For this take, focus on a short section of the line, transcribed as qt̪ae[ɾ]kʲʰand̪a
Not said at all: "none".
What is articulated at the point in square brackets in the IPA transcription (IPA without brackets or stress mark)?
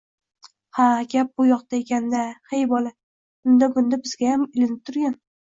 none